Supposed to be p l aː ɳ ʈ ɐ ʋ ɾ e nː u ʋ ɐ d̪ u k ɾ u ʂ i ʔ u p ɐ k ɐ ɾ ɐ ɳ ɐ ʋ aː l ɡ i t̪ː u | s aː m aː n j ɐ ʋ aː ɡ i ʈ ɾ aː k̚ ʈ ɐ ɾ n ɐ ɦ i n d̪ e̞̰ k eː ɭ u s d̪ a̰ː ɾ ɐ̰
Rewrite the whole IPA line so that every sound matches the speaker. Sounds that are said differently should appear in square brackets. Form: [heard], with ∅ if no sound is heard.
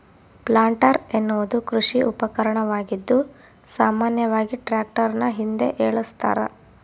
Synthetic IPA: p l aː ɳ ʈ ɐ [∅] ɾ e nː u ʋ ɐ d̪ u k ɾ u ʂ i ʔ u p ɐ k ɐ ɾ ɐ ɳ ɐ ʋ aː [∅] ɡ i [d̪ː] u | s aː m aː n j ɐ ʋ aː ɡ i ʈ ɾ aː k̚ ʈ ɐ ɾ n ɐ ɦ i n d̪ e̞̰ [ʔ] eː ɭ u s [t̪] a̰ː ɾ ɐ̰

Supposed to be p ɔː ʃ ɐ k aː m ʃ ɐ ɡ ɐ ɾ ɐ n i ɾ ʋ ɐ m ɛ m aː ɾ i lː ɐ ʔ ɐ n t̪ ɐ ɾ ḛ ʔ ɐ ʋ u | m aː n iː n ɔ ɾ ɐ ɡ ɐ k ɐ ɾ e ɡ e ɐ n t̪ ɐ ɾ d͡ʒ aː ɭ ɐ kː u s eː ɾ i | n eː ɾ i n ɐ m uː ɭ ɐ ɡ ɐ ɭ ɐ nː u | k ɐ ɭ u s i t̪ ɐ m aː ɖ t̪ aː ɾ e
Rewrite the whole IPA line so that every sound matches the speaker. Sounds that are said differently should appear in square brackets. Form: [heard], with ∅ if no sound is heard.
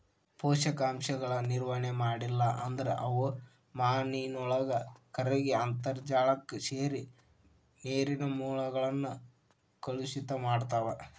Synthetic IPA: p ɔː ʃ ɐ k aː m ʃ ɐ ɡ ɐ [ɭ] ɐ n i ɾ ʋ ɐ [ɳ] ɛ m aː [ɽ] i lː ɐ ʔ ɐ n [d̪] ɐ ɾ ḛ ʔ ɐ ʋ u | m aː n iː n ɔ [ɭ] ɐ ɡ ɐ k ɐ ɾ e ɡ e ɐ n t̪ ɐ ɾ d͡ʒ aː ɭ ɐ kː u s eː ɾ i | n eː ɾ i n ɐ m uː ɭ ɐ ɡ ɐ ɭ ɐ nː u | k ɐ ɭ u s i t̪ ɐ m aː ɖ t̪ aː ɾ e

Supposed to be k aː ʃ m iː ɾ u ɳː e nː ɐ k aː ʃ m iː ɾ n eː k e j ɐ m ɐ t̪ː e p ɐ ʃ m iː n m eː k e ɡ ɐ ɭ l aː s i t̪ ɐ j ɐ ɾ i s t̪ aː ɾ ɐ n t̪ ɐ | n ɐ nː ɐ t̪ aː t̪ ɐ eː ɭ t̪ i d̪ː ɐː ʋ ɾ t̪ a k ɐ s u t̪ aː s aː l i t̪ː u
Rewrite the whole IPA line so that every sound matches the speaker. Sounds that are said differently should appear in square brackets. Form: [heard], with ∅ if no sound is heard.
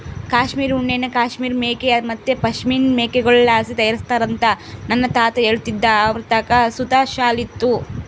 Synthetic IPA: k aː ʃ m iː ɾ u ɳː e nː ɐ k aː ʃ m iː ɾ [m] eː k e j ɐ m ɐ t̪ː e p ɐ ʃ m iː n m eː k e ɡ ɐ ɭ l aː s i t̪ ɐ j ɐ ɾ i s t̪ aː ɾ ɐ n t̪ ɐ | n ɐ nː ɐ t̪ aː t̪ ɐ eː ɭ t̪ i d̪ː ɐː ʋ ɾ t̪ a k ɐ s u t̪ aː [ʃ] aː l i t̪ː u

